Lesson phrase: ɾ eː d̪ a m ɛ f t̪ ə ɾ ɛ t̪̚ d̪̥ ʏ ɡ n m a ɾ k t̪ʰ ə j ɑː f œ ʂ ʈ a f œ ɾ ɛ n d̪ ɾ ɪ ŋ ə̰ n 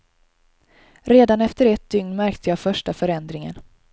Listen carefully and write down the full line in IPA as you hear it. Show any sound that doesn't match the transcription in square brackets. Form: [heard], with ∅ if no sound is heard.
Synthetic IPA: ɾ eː d̪ a [n] ɛ f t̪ ə ɾ ɛ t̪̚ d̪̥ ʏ [ŋ] n m [æ] ɾ k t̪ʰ ə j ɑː f œ ʂ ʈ a f œ ɾ ɛ n d̪ ɾ ɪ ŋ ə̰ n